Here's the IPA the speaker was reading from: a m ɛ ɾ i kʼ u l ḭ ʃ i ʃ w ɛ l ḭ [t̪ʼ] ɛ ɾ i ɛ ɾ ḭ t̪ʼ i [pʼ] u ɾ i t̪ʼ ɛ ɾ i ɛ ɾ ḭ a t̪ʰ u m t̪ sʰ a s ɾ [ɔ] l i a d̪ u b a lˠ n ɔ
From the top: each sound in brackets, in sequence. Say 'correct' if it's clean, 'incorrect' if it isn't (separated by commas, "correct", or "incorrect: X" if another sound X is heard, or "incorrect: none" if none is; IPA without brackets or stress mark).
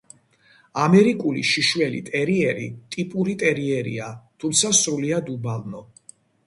correct, correct, incorrect: u